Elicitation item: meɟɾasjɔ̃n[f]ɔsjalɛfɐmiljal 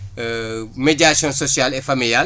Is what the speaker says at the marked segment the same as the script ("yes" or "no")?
no